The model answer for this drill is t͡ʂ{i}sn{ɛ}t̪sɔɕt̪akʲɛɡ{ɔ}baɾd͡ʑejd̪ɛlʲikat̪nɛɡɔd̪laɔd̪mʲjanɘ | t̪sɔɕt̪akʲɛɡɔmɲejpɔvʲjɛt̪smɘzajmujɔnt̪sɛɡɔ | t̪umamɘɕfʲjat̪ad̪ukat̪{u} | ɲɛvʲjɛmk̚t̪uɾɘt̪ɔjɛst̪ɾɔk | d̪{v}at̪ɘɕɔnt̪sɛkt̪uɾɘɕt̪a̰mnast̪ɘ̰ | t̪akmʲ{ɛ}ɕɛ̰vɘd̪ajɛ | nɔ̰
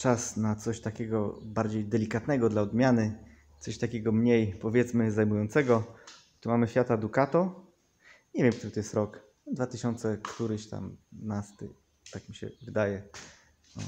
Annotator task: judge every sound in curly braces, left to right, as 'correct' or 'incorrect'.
incorrect: a, incorrect: a, correct, incorrect: ɔ, correct, incorrect: i

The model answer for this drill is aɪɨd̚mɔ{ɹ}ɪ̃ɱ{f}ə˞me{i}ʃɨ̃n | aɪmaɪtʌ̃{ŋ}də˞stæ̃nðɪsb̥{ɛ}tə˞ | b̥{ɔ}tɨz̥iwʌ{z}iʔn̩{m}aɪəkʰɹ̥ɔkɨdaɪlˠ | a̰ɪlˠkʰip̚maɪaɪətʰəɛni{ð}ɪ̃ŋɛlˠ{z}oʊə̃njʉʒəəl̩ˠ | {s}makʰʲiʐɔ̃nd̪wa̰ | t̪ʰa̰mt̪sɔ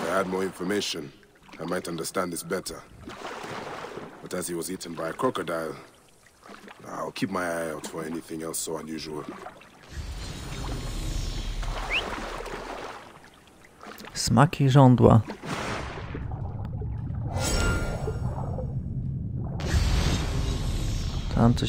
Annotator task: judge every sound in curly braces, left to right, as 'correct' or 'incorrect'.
correct, correct, incorrect: ɪ, incorrect: n, correct, incorrect: ʌ, correct, incorrect: b, incorrect: θ, incorrect: s, correct

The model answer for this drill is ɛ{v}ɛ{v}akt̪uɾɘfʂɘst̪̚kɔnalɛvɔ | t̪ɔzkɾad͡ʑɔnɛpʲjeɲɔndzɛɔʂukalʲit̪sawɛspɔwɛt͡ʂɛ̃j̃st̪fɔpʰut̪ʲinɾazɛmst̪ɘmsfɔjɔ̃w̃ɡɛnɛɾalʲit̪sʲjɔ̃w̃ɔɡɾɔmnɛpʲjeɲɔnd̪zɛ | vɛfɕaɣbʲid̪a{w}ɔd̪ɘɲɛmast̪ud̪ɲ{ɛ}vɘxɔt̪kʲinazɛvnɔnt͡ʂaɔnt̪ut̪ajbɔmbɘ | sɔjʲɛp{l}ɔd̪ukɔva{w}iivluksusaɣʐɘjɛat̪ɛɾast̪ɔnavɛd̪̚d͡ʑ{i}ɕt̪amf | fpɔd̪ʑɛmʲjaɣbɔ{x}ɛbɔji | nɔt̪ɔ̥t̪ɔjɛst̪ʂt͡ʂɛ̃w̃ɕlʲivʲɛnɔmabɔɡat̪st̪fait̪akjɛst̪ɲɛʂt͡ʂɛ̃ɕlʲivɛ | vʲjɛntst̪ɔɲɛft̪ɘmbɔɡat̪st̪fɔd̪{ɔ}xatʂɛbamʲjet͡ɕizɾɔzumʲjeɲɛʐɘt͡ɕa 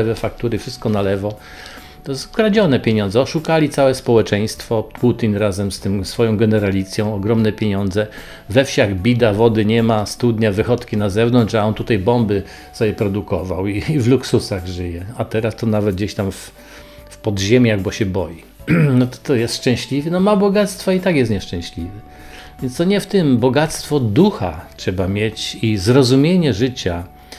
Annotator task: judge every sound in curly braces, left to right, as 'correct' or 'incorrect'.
correct, incorrect: f, incorrect: v, incorrect: a, incorrect: ɾ, correct, incorrect: e, incorrect: ɕ, incorrect: u

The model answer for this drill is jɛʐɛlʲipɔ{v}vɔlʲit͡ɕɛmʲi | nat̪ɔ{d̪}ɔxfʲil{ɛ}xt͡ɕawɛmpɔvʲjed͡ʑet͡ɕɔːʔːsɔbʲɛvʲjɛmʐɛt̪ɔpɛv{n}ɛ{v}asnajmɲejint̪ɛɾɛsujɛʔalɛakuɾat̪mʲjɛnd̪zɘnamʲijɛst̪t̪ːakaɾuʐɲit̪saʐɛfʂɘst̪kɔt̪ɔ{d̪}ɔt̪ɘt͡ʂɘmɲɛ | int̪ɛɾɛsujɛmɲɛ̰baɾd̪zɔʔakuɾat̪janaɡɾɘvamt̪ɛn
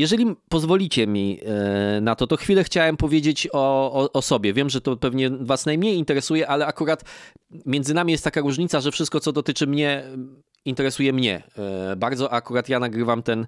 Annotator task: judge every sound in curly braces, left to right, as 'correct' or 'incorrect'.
incorrect: z, incorrect: t̪, correct, incorrect: ɲ, correct, correct

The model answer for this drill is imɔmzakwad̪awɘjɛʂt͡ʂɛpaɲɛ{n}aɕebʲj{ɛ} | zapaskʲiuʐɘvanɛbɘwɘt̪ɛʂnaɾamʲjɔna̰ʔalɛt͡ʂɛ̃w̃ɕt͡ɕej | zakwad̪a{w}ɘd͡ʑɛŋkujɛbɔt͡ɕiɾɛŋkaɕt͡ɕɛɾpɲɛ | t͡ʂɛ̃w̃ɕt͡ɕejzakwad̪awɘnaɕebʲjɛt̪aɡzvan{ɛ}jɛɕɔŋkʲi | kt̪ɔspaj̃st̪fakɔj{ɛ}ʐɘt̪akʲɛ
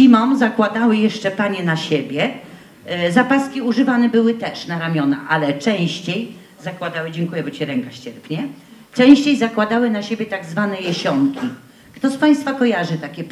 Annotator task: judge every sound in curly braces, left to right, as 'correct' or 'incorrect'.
correct, correct, correct, correct, incorrect: a

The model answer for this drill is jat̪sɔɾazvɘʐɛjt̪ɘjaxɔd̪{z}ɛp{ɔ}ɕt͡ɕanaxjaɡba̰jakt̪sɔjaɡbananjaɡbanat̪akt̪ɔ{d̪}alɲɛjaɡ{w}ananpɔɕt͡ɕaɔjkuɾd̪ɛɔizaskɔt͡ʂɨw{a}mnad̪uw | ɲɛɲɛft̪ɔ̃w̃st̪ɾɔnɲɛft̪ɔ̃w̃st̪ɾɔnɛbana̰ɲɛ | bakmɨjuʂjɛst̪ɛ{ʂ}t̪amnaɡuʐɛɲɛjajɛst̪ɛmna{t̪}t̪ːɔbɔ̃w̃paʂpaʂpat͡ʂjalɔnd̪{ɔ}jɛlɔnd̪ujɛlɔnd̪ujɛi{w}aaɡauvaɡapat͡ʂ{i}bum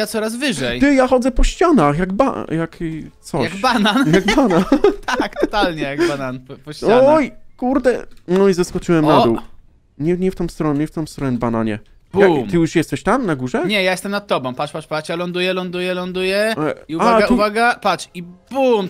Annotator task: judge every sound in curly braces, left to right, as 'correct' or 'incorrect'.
correct, correct, incorrect: t̪, incorrect: b, incorrect: ɛ, incorrect: ɕ, correct, incorrect: u, incorrect: u, correct

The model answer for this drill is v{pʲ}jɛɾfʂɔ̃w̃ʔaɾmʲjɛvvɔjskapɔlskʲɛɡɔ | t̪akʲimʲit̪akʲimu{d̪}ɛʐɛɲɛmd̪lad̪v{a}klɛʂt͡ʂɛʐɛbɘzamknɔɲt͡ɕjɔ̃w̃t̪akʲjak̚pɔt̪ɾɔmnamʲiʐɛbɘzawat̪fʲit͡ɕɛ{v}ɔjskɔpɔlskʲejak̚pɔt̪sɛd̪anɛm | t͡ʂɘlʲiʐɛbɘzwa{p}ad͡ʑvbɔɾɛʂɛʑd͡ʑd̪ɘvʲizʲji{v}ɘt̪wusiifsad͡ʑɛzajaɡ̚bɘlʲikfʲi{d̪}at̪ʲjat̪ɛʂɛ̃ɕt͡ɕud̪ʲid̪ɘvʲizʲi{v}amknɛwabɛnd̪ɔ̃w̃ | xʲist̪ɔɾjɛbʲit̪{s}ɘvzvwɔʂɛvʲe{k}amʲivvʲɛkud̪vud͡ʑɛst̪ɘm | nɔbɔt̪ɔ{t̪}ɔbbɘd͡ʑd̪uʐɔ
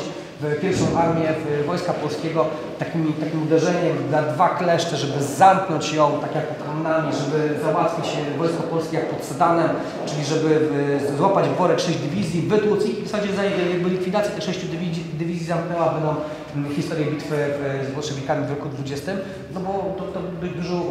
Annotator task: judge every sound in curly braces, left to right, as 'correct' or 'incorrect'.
correct, correct, correct, correct, correct, correct, correct, incorrect: z, incorrect: f, correct, correct

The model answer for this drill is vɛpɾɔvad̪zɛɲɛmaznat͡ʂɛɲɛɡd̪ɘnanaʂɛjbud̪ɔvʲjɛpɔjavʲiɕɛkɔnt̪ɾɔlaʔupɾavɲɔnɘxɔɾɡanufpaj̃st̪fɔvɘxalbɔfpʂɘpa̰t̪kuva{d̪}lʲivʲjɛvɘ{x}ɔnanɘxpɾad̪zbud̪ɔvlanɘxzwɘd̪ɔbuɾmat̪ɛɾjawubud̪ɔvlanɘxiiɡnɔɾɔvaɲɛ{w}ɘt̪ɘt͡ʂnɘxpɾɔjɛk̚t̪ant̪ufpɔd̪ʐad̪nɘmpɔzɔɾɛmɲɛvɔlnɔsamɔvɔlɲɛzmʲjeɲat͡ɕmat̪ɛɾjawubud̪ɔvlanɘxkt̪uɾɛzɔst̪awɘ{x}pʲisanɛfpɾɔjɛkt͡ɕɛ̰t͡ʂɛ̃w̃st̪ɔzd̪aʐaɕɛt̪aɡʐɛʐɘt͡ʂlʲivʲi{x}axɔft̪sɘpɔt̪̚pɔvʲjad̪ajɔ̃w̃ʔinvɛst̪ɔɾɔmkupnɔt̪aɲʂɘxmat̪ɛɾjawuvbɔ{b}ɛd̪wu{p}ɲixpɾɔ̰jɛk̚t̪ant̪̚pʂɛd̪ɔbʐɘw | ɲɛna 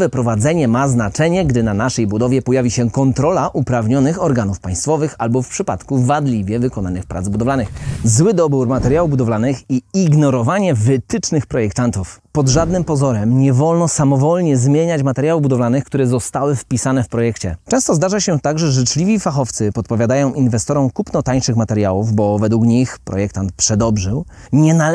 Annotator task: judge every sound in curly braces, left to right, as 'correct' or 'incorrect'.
correct, incorrect: k, incorrect: v, incorrect: f, incorrect: f, incorrect: v, incorrect: k

